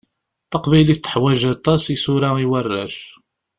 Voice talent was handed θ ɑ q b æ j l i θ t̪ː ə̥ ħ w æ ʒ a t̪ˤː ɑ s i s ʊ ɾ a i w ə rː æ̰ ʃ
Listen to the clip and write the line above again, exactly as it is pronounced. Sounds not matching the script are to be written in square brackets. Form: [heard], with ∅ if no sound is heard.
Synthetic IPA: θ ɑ q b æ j l i θ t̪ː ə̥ ħ w æ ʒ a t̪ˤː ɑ s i s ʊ ɾ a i w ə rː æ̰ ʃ

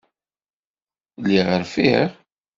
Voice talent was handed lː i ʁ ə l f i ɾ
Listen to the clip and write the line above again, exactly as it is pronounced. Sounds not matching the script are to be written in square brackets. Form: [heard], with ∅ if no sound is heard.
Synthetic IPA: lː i ʁ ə [ɾ] f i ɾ

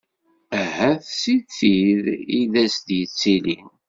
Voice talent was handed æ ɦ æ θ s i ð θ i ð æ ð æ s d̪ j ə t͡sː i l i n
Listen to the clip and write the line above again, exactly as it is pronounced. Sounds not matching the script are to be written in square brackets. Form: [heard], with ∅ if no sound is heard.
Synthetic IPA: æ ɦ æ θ s i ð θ i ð [i] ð æ s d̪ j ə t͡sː i l i n

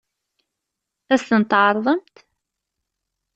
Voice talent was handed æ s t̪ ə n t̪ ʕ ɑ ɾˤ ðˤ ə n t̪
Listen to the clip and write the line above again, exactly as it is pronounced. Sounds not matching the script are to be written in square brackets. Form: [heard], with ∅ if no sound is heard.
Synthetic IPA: æ s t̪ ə n t̪ ʕ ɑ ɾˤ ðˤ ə [m] t̪

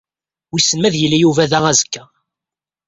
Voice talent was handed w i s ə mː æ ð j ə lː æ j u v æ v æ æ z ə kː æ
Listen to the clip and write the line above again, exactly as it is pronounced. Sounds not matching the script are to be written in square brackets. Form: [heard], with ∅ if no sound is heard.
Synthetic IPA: w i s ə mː æ ð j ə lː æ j u v æ [ð] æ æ z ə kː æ

